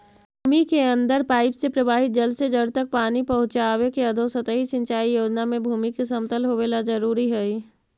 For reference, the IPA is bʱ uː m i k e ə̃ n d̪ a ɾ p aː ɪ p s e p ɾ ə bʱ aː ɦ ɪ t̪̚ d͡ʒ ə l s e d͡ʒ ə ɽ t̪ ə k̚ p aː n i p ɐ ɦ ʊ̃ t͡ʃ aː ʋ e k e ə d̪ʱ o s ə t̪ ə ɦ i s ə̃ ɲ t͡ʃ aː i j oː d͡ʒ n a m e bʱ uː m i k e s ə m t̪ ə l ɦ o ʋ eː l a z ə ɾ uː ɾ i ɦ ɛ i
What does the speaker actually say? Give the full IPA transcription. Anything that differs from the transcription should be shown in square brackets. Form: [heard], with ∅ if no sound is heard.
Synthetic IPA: bʱ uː m i k e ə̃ n d̪ [ə] ɾ p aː ɪ p s e p ɾ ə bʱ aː ɦ ɪ t̪̚ d͡ʒ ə l s e d͡ʒ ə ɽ t̪ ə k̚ p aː n i p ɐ ɦ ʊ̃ t͡ʃ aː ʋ e k e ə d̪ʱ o s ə t̪ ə ɦ i s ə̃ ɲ t͡ʃ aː i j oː d͡ʒ n a m [ẽ] bʱ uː m i k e s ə m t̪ ə l ɦ o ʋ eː l a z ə ɾ uː ɾ i ɦ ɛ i